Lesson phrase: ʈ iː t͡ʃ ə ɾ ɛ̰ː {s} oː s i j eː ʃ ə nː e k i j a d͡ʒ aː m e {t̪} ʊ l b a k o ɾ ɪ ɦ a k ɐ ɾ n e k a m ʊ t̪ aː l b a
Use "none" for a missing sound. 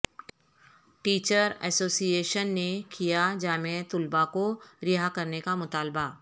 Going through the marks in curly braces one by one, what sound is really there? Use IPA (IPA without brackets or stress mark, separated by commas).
s, t̪